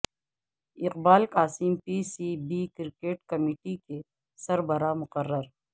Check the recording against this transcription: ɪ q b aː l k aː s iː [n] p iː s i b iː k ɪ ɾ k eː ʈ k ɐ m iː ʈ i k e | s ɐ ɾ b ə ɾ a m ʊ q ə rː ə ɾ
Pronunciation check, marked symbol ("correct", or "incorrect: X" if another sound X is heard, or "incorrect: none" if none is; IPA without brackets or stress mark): incorrect: m